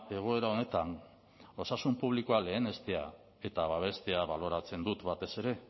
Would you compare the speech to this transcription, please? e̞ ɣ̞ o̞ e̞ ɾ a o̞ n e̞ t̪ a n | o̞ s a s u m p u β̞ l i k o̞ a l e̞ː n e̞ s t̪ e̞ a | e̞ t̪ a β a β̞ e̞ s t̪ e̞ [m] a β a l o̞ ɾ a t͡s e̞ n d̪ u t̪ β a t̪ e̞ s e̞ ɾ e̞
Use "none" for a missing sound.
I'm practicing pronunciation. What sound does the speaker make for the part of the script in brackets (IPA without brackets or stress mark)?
none